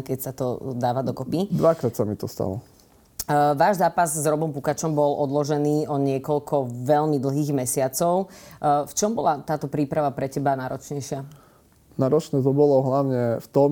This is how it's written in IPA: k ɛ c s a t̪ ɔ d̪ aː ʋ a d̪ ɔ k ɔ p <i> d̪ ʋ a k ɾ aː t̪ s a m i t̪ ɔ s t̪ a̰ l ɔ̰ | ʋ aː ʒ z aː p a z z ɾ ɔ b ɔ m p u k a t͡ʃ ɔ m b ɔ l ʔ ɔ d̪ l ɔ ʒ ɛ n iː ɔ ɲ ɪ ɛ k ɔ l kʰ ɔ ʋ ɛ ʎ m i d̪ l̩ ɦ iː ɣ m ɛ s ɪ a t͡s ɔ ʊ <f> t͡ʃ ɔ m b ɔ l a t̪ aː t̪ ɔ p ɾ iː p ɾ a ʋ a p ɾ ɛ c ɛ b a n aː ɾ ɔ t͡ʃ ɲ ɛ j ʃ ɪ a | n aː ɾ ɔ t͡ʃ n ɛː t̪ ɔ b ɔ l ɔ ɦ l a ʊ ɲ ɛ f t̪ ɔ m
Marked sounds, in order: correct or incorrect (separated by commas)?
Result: correct, correct